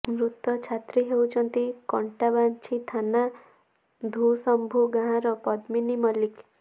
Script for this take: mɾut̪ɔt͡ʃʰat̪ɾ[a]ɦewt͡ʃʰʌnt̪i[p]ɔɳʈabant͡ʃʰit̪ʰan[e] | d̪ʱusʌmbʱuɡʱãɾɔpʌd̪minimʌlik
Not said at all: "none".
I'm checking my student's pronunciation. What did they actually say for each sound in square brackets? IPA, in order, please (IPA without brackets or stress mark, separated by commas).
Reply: i, k, a